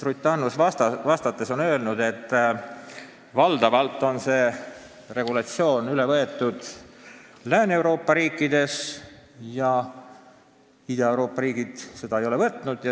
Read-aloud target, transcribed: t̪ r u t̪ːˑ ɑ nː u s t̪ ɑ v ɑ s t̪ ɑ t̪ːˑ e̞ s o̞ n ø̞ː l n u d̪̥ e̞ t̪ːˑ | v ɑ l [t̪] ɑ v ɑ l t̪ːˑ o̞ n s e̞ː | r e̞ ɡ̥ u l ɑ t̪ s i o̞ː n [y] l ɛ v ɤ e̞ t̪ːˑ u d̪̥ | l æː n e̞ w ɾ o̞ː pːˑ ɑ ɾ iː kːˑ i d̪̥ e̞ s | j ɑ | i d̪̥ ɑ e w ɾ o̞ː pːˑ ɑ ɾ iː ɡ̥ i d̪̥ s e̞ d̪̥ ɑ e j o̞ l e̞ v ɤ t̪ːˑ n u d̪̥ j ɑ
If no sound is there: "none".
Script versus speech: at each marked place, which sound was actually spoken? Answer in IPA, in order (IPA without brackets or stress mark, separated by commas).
d̪, y